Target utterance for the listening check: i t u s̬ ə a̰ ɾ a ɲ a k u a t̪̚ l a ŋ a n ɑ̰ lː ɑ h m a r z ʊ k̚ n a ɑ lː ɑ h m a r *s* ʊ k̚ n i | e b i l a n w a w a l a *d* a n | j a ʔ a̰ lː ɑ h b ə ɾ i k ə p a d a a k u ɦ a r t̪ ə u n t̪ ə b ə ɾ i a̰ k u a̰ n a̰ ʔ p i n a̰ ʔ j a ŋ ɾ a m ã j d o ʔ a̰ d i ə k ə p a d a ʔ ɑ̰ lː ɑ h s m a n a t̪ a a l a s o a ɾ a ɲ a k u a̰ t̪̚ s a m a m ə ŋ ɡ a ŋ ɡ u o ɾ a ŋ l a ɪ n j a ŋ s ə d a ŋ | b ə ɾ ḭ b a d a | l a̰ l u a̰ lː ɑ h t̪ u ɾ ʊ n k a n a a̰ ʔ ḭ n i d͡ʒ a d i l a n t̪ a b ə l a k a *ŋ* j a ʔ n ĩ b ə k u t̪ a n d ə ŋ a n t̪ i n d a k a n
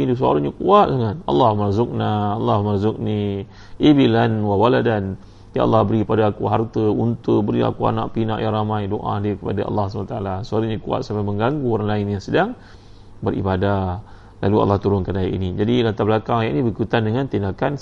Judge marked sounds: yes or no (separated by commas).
no, yes, yes